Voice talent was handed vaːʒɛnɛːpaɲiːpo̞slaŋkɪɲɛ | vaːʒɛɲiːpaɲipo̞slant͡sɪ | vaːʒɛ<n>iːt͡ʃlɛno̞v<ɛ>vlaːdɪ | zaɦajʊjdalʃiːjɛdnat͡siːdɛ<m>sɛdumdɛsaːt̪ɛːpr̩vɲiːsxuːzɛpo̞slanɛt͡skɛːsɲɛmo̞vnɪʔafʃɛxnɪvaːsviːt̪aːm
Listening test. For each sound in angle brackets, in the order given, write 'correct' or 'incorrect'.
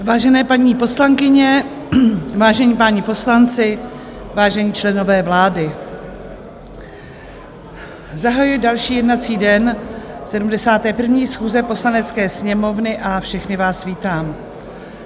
incorrect: ɲ, incorrect: ɛː, incorrect: n

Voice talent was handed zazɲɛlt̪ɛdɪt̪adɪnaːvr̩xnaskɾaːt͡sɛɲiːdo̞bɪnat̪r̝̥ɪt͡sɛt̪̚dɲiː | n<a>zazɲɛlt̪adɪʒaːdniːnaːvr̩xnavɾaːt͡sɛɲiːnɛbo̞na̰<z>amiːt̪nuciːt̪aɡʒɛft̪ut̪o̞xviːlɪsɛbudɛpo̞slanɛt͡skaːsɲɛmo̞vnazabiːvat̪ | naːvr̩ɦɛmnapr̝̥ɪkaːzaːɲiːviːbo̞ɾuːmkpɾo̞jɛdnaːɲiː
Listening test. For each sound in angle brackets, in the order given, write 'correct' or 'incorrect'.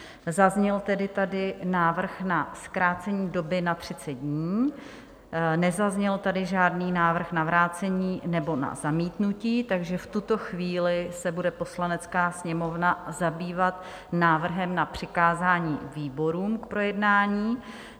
incorrect: ɛ, correct

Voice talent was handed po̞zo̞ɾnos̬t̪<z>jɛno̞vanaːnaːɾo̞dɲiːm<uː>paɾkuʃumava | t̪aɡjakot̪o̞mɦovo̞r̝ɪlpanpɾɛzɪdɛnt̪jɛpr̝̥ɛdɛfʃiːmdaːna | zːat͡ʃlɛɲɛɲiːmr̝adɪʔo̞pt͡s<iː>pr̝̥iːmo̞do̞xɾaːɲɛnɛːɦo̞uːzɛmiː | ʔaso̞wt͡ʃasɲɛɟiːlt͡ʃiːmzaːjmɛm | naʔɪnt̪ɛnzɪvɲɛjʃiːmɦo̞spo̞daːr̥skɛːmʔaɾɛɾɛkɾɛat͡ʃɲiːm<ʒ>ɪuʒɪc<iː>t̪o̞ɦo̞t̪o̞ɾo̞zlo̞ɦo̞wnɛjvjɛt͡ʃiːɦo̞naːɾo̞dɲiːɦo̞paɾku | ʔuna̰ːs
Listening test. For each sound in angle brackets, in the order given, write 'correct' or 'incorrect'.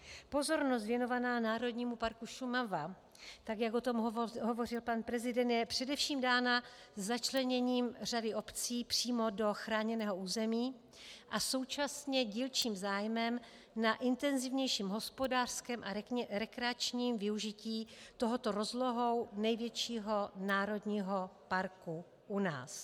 incorrect: v, incorrect: u, correct, incorrect: v, correct

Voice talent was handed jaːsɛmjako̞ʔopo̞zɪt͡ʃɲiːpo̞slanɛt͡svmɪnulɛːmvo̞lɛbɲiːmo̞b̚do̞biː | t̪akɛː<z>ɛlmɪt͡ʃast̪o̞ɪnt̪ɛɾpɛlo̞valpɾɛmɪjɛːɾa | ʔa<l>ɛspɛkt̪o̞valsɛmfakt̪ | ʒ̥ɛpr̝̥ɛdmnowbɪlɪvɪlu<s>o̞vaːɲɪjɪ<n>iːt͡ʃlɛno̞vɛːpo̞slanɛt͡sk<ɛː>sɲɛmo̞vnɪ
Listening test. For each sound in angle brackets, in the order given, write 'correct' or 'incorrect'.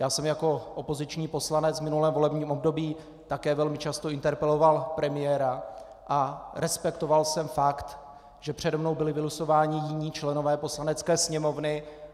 incorrect: v, incorrect: ɾ, correct, incorrect: ɲ, correct

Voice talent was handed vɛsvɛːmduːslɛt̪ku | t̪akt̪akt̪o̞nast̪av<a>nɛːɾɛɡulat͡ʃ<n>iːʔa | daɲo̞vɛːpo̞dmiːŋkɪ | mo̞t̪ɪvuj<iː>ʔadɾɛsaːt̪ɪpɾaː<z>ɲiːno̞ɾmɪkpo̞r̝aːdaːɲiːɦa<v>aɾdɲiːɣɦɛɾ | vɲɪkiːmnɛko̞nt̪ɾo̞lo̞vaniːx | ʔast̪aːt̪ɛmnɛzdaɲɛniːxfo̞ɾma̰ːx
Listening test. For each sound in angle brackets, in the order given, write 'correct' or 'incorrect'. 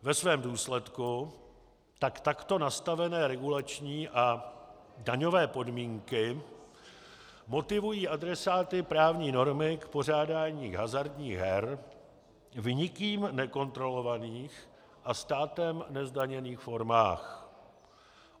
incorrect: ɛ, incorrect: ɲ, correct, incorrect: v, incorrect: z

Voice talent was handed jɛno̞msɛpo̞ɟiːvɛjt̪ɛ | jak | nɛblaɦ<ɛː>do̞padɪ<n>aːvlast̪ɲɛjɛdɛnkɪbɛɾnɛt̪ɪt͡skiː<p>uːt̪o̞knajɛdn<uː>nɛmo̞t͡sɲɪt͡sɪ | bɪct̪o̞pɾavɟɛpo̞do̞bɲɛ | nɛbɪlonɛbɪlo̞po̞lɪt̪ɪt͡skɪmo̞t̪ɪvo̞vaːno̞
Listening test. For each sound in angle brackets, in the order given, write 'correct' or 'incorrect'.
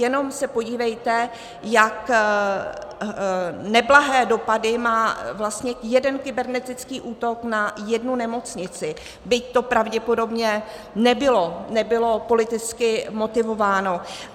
correct, incorrect: m, incorrect: ʔ, incorrect: u

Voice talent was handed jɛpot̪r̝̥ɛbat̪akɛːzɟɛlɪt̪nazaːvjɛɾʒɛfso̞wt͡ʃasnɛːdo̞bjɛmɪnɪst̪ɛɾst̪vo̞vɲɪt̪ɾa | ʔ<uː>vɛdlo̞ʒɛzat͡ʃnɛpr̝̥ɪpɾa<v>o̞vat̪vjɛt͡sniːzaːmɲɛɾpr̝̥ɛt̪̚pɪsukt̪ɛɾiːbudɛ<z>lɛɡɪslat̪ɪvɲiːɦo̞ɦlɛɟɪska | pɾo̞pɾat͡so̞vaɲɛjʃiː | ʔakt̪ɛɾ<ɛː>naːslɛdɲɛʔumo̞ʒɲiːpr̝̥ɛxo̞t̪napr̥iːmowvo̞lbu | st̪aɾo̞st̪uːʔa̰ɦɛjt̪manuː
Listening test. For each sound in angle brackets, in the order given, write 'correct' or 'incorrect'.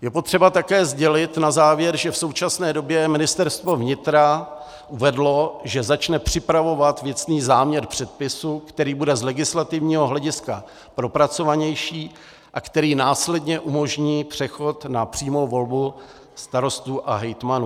incorrect: u, correct, correct, incorrect: iː

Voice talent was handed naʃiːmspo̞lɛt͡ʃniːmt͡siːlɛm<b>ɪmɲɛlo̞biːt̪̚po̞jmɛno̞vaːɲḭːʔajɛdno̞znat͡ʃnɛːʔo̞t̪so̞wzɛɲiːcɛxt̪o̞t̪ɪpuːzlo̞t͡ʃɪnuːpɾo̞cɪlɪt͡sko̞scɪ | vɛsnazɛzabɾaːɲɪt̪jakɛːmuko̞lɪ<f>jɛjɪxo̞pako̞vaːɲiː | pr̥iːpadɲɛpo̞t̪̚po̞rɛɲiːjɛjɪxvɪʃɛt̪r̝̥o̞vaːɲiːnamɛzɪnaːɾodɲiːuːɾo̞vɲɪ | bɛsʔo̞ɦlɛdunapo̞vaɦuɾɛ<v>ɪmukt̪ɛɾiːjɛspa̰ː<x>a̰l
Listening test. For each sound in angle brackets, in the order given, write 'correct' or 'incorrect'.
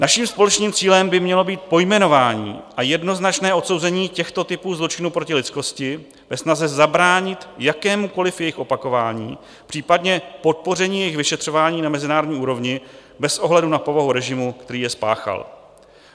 correct, correct, incorrect: ʒ, correct

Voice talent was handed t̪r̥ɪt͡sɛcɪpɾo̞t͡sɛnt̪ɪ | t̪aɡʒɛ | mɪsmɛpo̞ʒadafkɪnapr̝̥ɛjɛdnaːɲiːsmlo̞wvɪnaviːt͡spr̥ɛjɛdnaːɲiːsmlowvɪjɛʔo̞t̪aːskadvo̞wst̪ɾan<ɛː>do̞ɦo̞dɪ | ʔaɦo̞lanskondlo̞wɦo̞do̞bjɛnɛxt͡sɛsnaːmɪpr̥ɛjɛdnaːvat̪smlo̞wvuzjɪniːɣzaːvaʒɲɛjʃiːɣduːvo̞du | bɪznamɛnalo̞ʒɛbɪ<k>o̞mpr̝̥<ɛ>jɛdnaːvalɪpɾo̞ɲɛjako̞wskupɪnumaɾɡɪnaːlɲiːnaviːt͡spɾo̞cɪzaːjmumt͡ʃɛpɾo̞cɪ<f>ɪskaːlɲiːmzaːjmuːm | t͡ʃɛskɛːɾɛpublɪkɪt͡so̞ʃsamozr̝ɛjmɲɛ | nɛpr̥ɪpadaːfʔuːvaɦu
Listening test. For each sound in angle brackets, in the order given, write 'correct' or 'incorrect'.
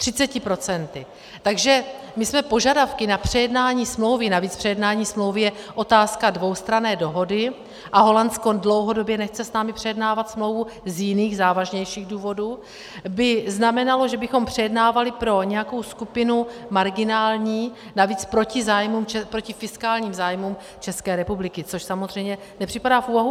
correct, incorrect: x, correct, correct

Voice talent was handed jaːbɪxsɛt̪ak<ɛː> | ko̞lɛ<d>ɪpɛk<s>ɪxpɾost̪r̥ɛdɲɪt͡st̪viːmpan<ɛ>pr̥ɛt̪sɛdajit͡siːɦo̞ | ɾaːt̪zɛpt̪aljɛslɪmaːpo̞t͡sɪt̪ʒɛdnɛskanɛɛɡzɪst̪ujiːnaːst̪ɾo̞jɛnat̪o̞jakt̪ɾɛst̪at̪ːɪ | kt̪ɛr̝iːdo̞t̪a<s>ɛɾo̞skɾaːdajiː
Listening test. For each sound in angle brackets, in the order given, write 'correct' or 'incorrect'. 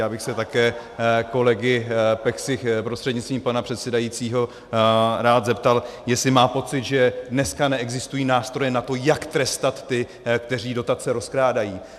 correct, incorrect: ɡ, correct, incorrect: a, incorrect: t͡s

